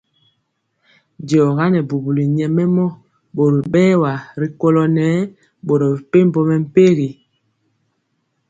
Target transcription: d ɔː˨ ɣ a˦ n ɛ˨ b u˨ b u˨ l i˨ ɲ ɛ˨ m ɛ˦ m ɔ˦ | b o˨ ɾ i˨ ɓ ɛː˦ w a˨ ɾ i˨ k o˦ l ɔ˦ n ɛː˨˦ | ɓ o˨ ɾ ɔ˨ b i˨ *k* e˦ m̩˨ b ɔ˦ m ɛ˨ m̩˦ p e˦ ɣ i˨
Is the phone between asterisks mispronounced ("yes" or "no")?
yes